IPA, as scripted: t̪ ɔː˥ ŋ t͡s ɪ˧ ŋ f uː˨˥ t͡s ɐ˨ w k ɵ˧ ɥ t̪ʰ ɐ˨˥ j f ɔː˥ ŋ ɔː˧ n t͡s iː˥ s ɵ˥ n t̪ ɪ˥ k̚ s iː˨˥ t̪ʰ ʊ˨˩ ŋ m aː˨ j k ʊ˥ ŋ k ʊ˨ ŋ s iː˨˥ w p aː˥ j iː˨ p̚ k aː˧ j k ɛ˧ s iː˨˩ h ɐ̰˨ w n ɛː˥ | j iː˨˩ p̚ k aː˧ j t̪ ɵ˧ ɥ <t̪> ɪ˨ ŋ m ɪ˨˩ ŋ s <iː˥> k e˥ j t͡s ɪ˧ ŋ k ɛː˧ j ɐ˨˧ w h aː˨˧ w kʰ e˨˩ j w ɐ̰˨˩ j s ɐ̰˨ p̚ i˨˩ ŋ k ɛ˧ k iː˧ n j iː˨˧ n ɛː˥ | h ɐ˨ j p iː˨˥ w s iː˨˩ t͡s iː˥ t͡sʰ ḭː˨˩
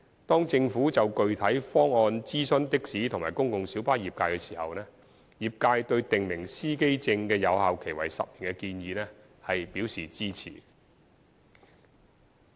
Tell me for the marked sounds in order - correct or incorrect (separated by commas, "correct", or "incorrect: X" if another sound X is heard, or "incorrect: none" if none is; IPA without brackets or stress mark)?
correct, correct